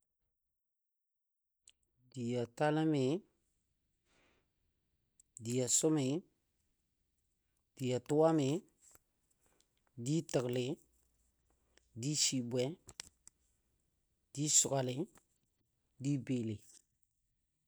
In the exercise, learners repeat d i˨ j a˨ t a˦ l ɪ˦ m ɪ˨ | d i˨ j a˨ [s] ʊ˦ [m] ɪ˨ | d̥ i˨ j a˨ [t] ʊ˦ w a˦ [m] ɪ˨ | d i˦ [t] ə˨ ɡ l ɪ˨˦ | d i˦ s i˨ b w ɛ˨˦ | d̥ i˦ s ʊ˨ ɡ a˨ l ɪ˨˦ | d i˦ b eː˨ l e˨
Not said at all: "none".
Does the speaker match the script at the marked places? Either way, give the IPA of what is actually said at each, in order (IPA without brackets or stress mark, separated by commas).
s, m, t, m, t